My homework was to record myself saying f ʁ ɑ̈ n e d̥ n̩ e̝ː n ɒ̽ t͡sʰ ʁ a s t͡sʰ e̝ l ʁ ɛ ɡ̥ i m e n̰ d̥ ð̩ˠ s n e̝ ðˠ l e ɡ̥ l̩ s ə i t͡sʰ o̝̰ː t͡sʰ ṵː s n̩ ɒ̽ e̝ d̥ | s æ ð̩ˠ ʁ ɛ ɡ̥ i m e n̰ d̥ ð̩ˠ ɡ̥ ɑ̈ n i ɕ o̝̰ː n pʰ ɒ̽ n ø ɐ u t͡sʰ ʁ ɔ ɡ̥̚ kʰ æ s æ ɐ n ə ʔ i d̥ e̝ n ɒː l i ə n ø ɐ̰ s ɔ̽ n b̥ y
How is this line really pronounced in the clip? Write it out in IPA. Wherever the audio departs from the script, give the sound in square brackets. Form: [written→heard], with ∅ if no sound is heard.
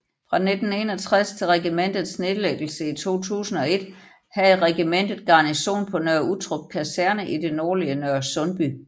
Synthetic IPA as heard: f ʁ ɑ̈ n e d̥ n̩ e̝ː n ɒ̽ t͡sʰ ʁ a s t͡sʰ e̝ l ʁ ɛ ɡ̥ i m e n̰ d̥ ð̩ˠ s n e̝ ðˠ l e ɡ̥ l̩ s ə i t͡sʰ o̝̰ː t͡sʰ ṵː s n̩ ɒ̽ e̝ d̥ | [s→h] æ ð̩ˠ ʁ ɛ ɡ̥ i m e n̰ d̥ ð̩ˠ ɡ̥ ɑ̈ n i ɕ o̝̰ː n pʰ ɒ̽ n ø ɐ u t͡sʰ ʁ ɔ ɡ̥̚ kʰ æ s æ ɐ n ə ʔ i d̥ e̝ n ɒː l i ə n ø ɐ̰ s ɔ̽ n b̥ y